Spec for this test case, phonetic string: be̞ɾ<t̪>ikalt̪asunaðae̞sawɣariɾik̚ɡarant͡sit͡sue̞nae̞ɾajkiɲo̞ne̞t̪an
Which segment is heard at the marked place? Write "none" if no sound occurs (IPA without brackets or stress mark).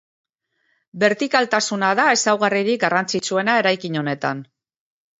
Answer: t̪